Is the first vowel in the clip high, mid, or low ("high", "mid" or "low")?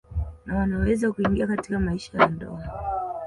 low